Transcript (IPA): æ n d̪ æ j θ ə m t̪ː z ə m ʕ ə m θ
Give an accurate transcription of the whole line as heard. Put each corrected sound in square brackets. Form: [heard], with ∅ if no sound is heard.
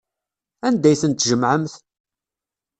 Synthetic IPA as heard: æ n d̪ æ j θ ə [n] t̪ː [ʒ] ə m ʕ ə m θ